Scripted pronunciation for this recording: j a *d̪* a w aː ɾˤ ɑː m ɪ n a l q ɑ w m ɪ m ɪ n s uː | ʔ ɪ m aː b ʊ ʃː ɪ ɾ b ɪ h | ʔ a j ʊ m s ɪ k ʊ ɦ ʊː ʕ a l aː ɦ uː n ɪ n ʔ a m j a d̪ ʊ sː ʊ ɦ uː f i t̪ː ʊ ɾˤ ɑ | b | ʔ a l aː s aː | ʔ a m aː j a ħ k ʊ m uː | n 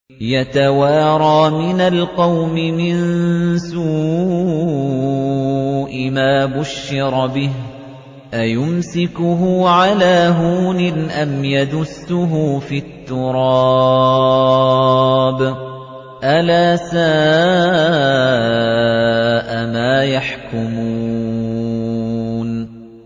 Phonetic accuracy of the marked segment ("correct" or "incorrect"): incorrect